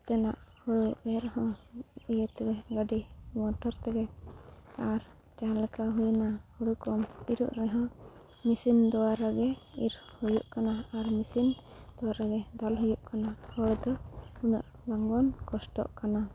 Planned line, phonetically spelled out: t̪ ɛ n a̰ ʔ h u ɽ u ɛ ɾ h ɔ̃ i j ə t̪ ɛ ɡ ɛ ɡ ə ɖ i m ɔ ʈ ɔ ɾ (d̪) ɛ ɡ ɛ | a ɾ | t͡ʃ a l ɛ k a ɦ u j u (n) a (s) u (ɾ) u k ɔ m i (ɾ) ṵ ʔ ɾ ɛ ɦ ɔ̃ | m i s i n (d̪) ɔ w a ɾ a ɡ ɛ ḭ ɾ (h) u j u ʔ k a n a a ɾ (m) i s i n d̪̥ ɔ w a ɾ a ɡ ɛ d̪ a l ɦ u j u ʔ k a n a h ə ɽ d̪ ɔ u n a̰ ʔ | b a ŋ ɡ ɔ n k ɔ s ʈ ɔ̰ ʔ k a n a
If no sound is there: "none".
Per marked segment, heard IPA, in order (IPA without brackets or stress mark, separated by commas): t̪, n, h, ɽ, ɾ, d̪, h, m